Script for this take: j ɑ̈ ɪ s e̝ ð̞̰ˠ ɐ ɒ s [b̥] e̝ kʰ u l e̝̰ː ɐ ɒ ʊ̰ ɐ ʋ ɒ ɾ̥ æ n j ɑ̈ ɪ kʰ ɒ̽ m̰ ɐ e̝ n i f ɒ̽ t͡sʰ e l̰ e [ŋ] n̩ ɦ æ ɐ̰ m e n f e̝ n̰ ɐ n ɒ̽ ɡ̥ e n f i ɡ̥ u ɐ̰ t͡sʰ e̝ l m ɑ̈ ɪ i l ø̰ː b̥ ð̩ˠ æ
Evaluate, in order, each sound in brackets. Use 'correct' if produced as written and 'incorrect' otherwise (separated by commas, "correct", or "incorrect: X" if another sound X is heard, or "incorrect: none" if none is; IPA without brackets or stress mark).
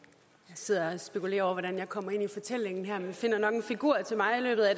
correct, correct